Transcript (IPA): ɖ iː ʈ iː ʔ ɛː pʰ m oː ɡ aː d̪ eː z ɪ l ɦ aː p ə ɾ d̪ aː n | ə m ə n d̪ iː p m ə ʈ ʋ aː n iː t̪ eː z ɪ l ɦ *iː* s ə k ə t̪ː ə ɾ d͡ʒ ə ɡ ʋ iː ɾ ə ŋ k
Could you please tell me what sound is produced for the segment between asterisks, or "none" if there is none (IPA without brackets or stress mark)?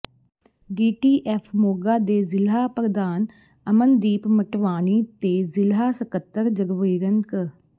aː